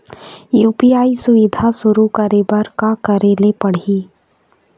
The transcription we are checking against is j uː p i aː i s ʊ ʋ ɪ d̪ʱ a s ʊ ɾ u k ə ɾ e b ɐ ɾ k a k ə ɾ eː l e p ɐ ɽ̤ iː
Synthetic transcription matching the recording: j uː p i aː i s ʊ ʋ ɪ d̪ʱ a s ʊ ɾ u k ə ɾ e b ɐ ɾ k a k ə ɾ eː l e p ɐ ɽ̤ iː